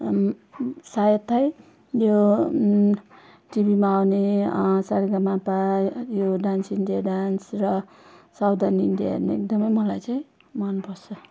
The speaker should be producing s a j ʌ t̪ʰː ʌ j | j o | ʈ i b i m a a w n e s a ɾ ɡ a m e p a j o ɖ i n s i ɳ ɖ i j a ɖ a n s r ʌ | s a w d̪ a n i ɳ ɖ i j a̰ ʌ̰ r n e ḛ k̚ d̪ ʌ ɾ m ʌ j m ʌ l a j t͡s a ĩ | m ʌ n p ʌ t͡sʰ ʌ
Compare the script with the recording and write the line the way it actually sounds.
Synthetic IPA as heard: s a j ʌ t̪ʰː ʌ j | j o | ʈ i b i m a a w n e s a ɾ ɡ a m a p a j o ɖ a n s i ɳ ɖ i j a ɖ a n s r ʌ | s a w d̪ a n i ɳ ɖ i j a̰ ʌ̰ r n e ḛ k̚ d̪ ʌ m ʌ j m ʌ l a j t͡s a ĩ | m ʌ n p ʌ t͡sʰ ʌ